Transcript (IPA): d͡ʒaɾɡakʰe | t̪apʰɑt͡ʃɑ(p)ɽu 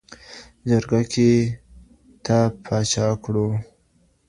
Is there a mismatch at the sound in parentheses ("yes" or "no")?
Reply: yes